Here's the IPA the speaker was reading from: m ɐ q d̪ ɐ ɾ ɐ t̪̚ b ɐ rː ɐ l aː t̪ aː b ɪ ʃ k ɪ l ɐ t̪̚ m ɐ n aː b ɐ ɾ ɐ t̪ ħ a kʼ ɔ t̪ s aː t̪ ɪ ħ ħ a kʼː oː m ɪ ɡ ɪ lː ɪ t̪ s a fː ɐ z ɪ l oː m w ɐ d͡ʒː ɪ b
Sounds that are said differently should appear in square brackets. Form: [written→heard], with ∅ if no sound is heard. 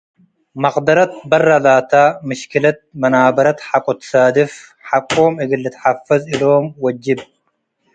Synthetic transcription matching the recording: m ɐ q d̪ ɐ ɾ ɐ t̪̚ b ɐ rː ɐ l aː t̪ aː [b→m] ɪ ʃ k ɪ l ɐ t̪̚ m ɐ n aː b ɐ ɾ ɐ t̪ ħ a kʼ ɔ t̪ s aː [t̪→d̪] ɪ [ħ→f] ħ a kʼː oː m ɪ ɡ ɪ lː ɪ t̪ [s→ħ] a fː ɐ z ɪ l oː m w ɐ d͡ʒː ɪ b